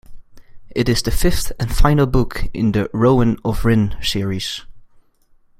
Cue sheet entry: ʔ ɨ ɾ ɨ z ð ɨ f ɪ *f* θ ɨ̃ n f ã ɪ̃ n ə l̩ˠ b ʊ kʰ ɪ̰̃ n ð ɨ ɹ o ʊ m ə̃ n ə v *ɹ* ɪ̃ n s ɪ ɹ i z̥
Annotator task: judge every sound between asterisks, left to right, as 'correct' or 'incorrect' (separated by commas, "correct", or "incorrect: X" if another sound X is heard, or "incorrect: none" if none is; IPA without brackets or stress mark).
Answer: correct, correct